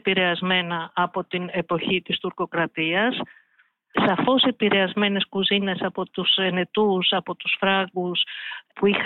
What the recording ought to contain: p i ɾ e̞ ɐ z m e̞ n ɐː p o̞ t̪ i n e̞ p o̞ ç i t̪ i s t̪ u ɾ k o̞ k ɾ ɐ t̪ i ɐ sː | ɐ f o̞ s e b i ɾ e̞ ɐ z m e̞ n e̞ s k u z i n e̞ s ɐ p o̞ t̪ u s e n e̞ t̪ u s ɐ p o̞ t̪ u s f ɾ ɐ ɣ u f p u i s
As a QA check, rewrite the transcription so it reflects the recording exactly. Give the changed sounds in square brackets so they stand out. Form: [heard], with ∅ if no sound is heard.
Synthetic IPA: p i ɾ e̞ ɐ z m e̞ n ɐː p o̞ t̪ i n e̞ p o̞ ç i t̪ i s t̪ u ɾ k o̞ k ɾ ɐ t̪ i ɐ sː | ɐ f o̞ s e [p] i ɾ e̞ ɐ z m e̞ n e̞ s k u z i n e̞ s ɐ p o̞ t̪ u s e n e̞ t̪ u s ɐ p o̞ t̪ u s f ɾ ɐ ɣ u [s] p u i [x]